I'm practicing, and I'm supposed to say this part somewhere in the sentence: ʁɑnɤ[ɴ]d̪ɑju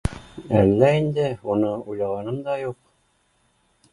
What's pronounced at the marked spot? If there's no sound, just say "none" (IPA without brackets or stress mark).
m